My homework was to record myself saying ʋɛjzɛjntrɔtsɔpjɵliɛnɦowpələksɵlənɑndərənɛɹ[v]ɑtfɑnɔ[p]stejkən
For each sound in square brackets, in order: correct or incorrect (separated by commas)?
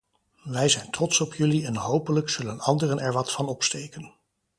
incorrect, correct